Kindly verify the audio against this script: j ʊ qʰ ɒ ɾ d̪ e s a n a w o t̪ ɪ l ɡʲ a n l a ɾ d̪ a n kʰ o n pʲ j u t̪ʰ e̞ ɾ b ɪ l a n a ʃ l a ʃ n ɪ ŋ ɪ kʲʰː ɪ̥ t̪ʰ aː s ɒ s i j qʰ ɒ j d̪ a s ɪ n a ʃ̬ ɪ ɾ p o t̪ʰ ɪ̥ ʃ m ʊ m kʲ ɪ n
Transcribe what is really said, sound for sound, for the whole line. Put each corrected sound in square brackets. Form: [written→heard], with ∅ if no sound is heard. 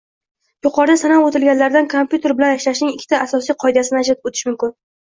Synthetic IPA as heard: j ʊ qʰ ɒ ɾ d̪ [e→a] s a n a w o t̪ ɪ l ɡʲ a n l a ɾ d̪ a n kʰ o [n→m] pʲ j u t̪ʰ e̞ ɾ b ɪ l a n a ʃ l a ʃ n ɪ ŋ ɪ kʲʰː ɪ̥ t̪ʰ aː s ɒ s i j qʰ ɒ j d̪ a s ɪ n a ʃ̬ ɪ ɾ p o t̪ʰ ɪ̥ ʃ m ʊ m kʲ ɪ n